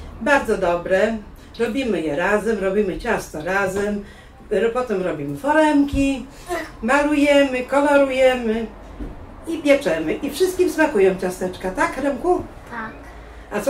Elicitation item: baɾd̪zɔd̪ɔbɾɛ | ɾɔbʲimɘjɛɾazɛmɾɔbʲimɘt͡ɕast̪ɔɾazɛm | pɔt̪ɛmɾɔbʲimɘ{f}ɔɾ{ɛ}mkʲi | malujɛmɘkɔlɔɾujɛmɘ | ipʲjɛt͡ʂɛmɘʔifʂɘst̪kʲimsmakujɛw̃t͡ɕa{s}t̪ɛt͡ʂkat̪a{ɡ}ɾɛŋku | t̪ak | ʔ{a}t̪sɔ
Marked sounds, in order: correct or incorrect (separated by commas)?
correct, correct, correct, incorrect, correct